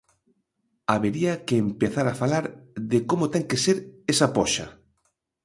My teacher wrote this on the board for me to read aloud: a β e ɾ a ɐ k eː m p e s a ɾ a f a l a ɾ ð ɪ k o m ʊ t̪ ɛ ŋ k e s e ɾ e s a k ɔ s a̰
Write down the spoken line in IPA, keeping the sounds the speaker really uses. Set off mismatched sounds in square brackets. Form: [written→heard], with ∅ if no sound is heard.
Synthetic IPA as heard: a β e ɾ [a→i] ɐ k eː m p e [s→θ] a ɾ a f a l a ɾ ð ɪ k o m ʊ t̪ ɛ ŋ k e s e ɾ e s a [k→p] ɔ [s→ʃ] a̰